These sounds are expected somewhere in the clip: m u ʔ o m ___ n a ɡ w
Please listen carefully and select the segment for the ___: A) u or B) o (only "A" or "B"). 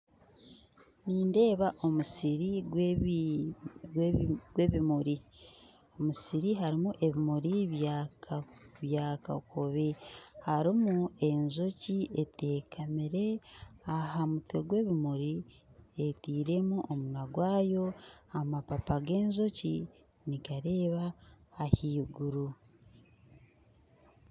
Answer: A